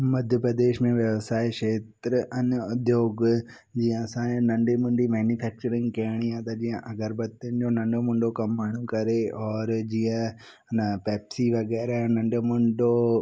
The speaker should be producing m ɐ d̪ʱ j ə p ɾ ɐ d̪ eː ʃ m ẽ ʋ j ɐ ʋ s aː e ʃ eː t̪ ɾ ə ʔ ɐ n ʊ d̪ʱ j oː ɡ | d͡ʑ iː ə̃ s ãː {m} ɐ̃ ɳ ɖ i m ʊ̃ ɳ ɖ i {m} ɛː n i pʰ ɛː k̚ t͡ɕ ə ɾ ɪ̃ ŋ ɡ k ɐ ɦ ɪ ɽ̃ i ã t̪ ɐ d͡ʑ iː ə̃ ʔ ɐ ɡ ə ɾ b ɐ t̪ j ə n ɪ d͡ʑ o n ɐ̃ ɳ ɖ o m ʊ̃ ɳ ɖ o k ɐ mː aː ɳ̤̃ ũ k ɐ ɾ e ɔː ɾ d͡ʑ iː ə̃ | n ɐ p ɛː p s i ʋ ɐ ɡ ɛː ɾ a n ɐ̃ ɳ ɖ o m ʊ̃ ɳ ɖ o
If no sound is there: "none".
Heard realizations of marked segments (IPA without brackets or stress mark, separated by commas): n, m